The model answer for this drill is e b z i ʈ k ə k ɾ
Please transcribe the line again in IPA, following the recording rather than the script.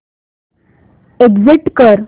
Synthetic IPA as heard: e ɡ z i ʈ k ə ɾ